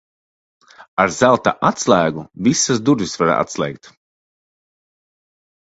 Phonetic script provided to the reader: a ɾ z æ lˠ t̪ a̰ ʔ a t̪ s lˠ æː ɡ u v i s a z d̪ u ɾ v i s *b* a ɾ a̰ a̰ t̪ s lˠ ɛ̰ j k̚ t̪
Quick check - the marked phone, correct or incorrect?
incorrect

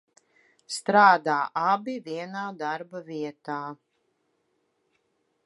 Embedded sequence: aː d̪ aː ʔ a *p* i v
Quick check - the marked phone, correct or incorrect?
incorrect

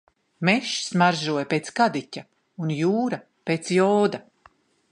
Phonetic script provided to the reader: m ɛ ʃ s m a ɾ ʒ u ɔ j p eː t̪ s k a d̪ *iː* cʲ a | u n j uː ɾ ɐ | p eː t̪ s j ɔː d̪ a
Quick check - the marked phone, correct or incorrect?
incorrect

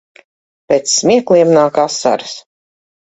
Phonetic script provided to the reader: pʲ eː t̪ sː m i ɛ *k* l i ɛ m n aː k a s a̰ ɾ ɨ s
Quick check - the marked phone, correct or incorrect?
correct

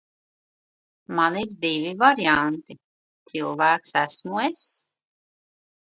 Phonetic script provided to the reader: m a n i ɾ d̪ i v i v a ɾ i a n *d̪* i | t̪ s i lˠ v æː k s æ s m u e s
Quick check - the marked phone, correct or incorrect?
incorrect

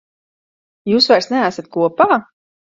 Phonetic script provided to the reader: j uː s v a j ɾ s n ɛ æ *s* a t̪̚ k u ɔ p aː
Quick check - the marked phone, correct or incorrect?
correct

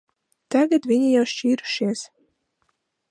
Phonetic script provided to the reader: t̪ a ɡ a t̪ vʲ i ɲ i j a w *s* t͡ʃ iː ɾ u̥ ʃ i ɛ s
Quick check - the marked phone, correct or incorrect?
incorrect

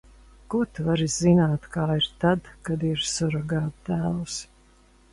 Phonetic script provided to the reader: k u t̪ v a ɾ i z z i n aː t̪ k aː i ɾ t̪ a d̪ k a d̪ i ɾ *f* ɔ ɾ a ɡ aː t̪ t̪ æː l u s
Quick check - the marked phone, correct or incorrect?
incorrect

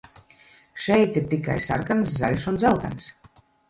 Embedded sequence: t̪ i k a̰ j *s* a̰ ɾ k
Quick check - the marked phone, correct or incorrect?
correct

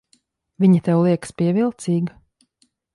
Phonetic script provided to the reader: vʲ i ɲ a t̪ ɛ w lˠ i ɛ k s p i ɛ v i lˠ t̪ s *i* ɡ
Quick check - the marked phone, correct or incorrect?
incorrect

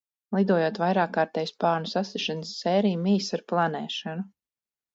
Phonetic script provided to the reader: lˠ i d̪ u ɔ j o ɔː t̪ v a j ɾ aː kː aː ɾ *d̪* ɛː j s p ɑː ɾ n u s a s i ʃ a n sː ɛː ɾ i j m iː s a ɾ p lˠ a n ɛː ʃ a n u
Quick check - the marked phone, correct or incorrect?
incorrect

